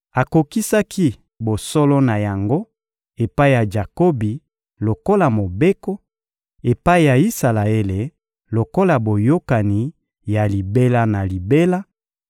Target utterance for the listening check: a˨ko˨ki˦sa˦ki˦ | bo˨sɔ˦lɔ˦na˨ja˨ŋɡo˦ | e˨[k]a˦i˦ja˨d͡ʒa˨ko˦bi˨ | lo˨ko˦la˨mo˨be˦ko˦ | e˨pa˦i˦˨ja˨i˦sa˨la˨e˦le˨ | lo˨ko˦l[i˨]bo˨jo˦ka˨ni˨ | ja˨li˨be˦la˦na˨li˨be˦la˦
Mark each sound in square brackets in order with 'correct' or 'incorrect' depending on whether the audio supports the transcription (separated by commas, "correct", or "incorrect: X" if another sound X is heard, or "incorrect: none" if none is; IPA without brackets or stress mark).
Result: incorrect: p, incorrect: a˨